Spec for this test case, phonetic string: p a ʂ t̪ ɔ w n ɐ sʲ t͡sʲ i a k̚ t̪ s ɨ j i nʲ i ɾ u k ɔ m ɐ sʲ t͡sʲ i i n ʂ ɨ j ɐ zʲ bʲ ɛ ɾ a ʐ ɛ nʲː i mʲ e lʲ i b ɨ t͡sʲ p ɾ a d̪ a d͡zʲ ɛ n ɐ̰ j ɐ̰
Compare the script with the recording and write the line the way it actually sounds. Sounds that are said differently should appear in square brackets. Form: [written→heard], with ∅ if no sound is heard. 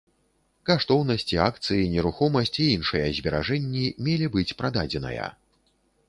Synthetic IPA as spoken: [p→k] a ʂ t̪ ɔ w n ɐ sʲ t͡sʲ i a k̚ t̪ s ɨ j i nʲ [i→ɛ] ɾ u [k→x] ɔ m ɐ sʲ t͡sʲ i i n ʂ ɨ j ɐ zʲ bʲ ɛ ɾ a ʐ ɛ nʲː i mʲ e lʲ i b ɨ t͡sʲ p ɾ a d̪ a d͡zʲ ɛ n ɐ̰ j ɐ̰